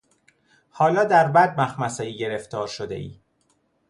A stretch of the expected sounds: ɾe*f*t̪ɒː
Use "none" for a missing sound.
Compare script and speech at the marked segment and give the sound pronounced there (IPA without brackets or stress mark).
f